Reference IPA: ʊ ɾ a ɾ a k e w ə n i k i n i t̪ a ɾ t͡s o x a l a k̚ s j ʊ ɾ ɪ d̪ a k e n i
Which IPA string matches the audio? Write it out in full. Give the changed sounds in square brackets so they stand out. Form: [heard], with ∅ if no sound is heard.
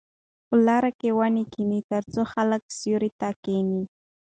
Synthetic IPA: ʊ [l] a ɾ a k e w [a] n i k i n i t̪ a ɾ t͡s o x a l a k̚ s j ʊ ɾ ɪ [t̪] a k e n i